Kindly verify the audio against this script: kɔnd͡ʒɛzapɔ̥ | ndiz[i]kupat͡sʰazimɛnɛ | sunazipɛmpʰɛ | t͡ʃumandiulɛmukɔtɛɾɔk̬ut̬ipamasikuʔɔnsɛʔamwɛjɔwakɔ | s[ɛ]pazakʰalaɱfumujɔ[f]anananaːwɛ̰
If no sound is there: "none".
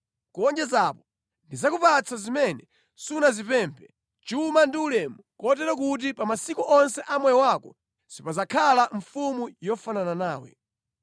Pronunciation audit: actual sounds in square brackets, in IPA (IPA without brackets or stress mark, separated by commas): a, i, f